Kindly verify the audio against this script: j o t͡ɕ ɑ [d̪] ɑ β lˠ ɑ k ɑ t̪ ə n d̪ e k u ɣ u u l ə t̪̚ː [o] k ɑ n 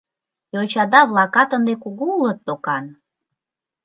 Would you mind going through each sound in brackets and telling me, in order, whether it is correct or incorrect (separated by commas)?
correct, correct